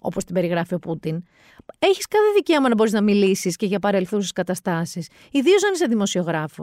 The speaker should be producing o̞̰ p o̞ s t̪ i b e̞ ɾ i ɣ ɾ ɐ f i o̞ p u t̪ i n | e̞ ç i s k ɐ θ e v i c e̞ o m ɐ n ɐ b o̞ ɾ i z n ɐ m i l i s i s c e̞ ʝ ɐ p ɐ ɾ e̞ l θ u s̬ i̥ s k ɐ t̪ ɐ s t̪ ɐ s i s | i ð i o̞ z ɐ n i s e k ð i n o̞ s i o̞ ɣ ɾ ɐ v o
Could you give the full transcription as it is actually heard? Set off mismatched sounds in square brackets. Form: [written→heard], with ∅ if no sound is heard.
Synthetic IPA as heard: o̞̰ p o̞ s t̪ i b e̞ ɾ i ɣ ɾ ɐ f i o̞ p u t̪ i n | e̞ ç i s k ɐ θ e [v→ð] i c e̞ o m ɐ n ɐ b o̞ ɾ i z n ɐ m i l i s i s c e̞ ʝ ɐ p ɐ ɾ e̞ l θ u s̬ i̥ s k ɐ t̪ ɐ s t̪ ɐ s i s | i ð i o̞ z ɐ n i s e [k→∅] ð i [n→m] o̞ s i o̞ ɣ ɾ ɐ [v→f] o